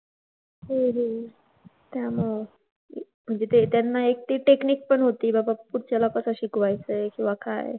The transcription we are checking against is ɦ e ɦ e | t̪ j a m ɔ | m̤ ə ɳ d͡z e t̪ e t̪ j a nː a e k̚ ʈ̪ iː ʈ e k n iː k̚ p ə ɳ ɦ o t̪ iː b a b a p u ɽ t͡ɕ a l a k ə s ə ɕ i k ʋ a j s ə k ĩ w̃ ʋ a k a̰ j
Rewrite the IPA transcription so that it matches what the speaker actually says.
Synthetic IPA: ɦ e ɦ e | t̪ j a m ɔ | m̤ ə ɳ d͡z e t̪ e t̪ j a nː a e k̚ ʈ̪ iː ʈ e k n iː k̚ p ə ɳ ɦ o t̪ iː b a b a p u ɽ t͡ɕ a l a k ə s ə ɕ i k ʋ a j t͡s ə k ĩ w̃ ʋ a k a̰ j